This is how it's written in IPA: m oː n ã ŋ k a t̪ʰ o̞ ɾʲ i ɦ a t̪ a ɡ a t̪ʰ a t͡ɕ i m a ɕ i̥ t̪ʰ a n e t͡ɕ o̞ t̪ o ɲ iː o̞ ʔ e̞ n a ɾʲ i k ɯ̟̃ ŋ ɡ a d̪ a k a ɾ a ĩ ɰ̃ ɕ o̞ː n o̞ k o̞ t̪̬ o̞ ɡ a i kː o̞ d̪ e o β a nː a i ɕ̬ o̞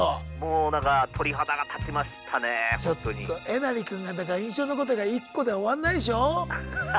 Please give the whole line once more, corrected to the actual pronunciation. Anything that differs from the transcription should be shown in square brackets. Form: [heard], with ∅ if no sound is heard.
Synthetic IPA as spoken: m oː n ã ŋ k a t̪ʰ o̞ ɾʲ i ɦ a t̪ a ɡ a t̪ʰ a t͡ɕ i m a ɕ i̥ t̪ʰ a n e t͡ɕ o̞ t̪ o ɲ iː o̞ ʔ e̞ n a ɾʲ i k ɯ̟̃ ŋ ɡ a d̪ a k a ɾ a ĩ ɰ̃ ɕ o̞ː n o̞ k o̞ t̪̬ o̞ ɡ a i kː o̞ d̪ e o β a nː a i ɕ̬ o̞